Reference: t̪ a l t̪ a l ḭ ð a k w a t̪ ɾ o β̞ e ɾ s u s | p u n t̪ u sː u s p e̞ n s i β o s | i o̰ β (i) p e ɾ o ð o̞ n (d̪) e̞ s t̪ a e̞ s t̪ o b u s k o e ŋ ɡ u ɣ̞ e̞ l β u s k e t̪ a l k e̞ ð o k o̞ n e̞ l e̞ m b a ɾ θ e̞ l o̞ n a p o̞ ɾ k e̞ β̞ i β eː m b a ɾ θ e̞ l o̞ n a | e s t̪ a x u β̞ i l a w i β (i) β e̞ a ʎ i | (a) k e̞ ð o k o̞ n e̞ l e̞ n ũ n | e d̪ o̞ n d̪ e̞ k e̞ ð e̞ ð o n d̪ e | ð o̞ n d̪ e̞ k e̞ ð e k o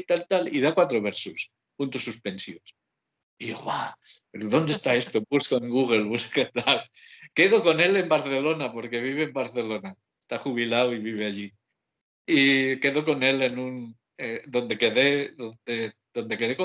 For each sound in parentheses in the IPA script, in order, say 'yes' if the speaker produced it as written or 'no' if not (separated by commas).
no, yes, yes, no